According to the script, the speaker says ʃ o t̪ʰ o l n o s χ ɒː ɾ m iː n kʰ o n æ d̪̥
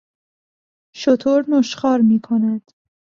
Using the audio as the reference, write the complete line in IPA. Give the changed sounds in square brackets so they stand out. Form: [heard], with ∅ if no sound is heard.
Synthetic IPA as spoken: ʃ o t̪ʰ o [ɾ] n o [ʃ] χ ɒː ɾ m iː [∅] kʰ o n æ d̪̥